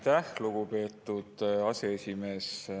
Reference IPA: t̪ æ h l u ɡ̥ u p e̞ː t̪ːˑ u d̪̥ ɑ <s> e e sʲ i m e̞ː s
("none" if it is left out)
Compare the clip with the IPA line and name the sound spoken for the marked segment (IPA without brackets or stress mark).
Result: s